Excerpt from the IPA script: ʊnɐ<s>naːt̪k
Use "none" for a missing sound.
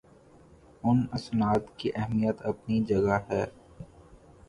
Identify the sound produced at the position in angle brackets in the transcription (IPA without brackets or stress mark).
s